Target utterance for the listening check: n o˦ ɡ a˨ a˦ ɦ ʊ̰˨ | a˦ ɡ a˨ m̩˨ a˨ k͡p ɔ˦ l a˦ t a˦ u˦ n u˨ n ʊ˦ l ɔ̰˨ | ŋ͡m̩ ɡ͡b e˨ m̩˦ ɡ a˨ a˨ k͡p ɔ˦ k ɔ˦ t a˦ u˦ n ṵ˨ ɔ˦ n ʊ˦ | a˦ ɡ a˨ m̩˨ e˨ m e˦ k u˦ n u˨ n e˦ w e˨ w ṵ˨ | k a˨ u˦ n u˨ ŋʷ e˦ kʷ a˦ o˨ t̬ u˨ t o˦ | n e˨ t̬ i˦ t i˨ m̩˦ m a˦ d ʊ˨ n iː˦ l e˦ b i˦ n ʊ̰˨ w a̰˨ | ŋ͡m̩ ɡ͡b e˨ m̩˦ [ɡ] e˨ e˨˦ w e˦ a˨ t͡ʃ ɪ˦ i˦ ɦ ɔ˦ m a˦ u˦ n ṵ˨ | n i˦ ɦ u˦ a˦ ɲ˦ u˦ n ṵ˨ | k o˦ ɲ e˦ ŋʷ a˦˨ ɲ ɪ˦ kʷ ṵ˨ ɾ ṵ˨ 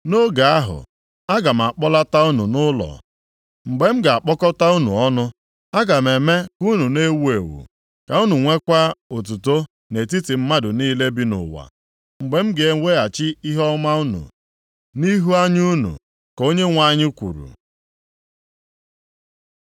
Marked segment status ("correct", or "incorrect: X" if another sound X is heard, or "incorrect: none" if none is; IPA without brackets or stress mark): correct